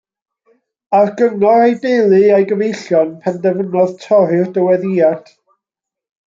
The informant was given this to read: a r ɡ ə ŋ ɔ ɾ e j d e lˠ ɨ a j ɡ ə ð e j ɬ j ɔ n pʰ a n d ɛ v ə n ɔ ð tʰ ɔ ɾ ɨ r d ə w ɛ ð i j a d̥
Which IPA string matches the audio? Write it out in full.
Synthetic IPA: a r ɡ ə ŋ ɔ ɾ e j d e lˠ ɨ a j ɡ ə v e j ɬ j ɔ n pʰ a n d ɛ v ə n ɔ ð tʰ ɔ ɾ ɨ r d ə w ɛ ð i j a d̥